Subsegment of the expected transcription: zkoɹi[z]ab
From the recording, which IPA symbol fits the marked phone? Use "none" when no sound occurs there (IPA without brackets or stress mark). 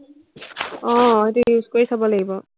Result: s